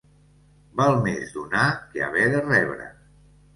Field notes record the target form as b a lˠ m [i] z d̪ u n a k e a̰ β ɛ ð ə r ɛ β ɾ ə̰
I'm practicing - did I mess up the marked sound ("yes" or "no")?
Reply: yes